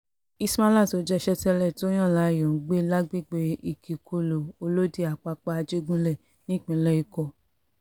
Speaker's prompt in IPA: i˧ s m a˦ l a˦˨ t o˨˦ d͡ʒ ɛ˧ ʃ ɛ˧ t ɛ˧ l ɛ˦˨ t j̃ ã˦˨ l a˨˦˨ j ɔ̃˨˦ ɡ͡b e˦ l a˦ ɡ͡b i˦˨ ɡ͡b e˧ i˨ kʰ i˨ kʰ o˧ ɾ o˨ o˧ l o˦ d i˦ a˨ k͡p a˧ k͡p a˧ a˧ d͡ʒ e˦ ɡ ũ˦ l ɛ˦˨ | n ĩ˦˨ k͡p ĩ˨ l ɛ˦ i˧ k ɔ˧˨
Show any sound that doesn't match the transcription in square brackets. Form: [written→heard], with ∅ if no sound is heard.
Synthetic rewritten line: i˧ s m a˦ l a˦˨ t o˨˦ d͡ʒ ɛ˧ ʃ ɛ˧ t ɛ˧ l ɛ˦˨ t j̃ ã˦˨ l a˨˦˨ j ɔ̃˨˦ ɡ͡b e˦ l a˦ ɡ͡b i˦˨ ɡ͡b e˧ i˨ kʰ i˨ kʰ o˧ [ɾ→l] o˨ o˧ l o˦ d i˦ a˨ k͡p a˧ k͡p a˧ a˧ d͡ʒ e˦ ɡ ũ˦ l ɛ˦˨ | n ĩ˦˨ k͡p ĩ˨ l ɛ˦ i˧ k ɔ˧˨